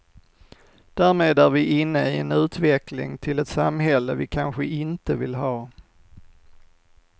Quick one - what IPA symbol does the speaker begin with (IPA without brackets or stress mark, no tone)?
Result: d̪̥